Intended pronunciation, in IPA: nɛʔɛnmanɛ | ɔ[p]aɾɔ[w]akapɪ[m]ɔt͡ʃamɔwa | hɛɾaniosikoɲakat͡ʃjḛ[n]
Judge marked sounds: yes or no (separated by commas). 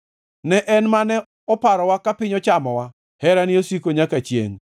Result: yes, yes, no, no